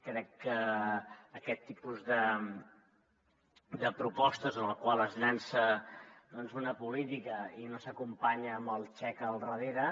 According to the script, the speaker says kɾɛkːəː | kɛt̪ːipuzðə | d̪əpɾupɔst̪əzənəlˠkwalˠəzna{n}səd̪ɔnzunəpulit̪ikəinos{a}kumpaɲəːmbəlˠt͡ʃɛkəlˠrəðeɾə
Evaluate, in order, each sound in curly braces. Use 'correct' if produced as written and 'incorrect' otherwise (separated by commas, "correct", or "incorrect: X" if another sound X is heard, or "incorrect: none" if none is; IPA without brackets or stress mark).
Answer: correct, incorrect: ə